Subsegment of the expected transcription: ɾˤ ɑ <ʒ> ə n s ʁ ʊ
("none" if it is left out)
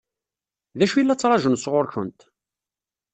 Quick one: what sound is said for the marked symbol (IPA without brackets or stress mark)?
ʒ